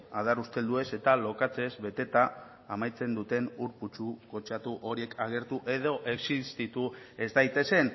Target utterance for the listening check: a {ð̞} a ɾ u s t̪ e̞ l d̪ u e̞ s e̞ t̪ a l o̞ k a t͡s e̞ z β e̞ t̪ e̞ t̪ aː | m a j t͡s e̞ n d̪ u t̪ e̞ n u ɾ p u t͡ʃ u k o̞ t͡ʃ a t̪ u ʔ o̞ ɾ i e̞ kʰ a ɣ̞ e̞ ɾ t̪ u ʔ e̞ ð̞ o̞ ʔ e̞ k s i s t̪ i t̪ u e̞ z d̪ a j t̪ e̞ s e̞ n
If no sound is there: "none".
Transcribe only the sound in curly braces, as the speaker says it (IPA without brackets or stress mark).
ð̞